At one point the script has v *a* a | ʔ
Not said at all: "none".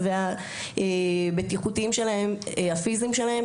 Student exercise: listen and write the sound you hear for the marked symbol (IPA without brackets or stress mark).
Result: e